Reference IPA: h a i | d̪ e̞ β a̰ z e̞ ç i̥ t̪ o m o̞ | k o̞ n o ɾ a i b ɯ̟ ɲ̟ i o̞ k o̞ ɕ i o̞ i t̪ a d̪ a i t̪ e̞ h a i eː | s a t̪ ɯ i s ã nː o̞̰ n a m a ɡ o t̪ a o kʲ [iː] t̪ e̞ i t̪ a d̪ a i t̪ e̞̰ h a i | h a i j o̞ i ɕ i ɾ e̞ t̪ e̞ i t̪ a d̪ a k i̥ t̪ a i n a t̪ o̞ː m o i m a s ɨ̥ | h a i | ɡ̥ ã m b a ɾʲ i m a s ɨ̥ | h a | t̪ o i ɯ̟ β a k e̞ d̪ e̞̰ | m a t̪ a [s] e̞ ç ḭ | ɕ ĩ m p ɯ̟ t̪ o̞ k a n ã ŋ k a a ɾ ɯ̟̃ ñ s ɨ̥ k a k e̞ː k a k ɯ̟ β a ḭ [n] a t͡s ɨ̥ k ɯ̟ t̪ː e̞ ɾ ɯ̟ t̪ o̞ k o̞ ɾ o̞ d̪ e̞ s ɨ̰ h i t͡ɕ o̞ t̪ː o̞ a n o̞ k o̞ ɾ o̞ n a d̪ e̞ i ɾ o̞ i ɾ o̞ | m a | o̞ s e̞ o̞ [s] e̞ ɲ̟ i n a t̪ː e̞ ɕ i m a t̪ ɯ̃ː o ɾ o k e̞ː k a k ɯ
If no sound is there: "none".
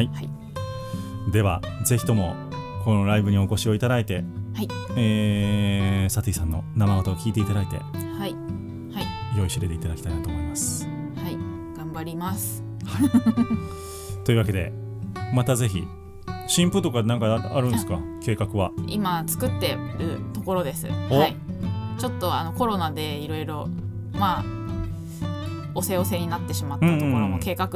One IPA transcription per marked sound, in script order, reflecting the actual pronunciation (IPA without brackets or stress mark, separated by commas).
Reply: iː, z, m, s